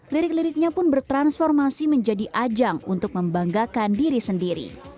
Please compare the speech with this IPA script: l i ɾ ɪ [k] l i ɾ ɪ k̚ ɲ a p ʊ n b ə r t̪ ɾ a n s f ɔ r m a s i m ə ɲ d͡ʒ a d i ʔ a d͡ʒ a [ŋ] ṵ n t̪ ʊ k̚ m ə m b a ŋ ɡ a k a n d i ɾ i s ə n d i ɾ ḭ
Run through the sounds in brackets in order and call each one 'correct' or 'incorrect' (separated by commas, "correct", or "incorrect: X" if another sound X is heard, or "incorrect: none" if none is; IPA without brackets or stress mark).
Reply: correct, correct